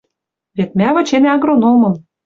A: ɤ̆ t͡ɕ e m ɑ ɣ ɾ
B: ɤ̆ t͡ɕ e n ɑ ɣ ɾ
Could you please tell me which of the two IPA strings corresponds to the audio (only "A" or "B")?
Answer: B